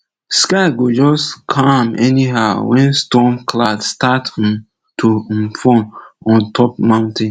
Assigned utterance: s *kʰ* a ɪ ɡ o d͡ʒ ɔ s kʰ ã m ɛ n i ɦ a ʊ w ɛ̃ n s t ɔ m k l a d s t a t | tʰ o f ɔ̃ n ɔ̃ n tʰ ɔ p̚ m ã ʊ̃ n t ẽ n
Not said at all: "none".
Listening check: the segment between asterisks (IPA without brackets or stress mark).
k